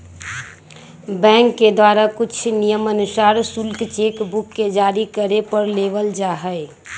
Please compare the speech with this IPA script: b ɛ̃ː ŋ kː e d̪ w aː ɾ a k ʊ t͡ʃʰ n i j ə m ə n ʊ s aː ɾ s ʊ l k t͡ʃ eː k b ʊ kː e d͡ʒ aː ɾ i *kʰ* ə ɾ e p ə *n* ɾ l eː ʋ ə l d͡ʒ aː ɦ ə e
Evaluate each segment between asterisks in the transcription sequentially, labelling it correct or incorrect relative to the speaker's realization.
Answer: incorrect: k, incorrect: none

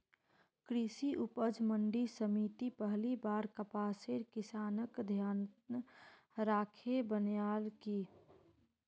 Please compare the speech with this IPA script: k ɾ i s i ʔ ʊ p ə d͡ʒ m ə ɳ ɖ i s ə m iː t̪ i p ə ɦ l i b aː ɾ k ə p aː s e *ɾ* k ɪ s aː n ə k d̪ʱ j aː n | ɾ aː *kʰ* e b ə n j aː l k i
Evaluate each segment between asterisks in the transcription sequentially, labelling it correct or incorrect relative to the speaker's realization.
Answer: correct, correct

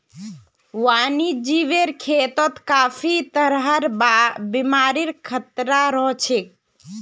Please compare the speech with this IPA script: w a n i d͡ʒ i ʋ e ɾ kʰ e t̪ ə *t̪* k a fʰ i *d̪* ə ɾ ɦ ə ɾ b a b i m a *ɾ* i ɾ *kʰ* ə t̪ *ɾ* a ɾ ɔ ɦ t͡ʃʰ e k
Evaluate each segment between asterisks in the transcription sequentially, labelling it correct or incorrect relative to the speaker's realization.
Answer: correct, incorrect: t̪, correct, correct, correct

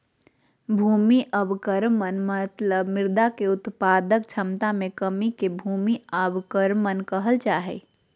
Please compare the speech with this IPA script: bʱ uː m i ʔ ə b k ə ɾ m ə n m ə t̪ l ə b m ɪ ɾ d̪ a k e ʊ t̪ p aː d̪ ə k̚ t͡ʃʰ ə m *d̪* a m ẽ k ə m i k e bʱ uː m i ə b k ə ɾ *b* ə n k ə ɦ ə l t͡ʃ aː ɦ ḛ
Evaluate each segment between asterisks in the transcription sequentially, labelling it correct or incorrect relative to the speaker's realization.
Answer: incorrect: t̪, incorrect: m

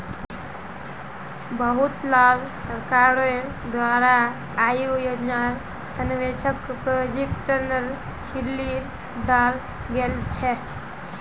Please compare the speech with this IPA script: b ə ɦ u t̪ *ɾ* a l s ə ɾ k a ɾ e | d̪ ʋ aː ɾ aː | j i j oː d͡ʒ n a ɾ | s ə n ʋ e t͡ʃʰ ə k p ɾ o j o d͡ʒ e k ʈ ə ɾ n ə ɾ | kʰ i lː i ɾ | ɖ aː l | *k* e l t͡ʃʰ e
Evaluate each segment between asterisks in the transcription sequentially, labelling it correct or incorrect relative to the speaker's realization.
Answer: incorrect: l, incorrect: ɡ

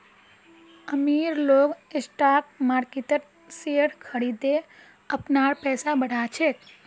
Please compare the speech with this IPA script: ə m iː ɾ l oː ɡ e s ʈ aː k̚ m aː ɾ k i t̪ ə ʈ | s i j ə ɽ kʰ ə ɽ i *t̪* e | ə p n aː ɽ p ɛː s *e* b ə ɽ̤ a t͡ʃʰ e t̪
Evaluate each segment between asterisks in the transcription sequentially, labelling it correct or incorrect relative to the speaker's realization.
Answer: incorrect: d̪, incorrect: a

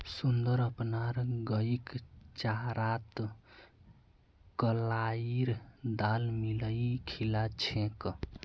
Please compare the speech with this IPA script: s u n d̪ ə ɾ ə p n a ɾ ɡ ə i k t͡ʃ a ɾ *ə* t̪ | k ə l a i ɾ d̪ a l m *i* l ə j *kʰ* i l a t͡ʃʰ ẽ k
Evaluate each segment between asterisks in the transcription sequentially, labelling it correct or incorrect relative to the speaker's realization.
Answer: incorrect: a, correct, correct

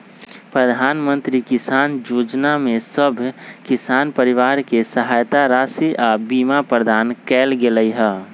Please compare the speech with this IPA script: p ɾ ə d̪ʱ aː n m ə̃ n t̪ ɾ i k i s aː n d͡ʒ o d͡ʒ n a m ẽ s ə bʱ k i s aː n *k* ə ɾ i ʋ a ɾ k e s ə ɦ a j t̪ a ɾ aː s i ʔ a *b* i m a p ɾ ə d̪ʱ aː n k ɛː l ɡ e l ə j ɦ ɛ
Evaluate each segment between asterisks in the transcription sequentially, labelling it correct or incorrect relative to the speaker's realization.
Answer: incorrect: p, correct

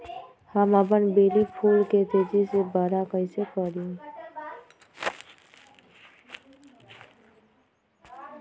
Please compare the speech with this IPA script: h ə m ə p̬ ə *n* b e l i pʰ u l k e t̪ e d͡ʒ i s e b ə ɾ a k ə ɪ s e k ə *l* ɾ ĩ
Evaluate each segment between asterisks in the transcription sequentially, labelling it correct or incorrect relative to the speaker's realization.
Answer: correct, incorrect: none

